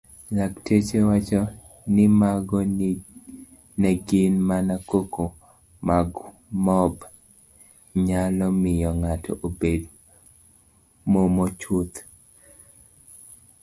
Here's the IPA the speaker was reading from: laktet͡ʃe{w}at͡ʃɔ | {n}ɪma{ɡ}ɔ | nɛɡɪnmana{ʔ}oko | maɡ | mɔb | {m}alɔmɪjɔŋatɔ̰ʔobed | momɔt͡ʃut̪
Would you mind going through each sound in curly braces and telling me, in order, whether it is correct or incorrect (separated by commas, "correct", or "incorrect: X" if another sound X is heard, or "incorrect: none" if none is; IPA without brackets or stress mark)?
correct, correct, correct, incorrect: k, incorrect: ɲ